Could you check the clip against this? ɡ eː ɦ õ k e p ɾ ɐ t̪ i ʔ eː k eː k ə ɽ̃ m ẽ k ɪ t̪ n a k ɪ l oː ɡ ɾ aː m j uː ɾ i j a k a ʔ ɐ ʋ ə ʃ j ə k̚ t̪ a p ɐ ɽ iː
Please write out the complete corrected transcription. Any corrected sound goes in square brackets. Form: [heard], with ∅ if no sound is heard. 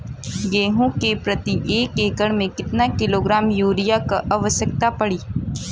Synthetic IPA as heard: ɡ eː ɦ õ k e p ɾ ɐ t̪ i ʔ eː k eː k ə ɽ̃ m ẽ k ɪ t̪ n a k ɪ l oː ɡ ɾ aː m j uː ɾ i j a k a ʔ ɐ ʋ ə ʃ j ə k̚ t̪ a p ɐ ɽ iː